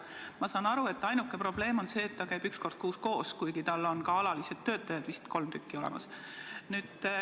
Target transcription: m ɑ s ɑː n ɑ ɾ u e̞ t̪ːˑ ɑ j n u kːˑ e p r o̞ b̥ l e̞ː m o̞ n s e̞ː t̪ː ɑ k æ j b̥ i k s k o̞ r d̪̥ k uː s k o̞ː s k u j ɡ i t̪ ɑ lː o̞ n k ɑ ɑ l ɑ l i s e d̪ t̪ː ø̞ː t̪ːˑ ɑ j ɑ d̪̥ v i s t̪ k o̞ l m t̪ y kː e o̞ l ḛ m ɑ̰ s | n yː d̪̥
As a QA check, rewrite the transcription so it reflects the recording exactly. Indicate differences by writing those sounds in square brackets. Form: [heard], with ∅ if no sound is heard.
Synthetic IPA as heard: m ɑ s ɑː n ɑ ɾ u e̞ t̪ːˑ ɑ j n u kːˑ e p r o̞ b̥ l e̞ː m o̞ n s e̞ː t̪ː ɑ k æ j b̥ [y] k s k o̞ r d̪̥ k uː s k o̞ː s k u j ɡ i t̪ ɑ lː o̞ n k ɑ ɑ l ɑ l i s e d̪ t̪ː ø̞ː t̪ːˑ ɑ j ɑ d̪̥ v i s t̪ k o̞ l m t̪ y kː [i] o̞ l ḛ m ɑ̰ s | n yː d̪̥